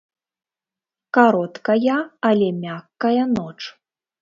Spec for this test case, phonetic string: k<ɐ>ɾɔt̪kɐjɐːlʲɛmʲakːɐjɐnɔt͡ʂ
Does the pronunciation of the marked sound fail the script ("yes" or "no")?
yes